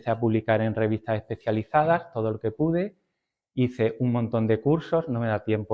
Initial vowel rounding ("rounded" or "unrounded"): unrounded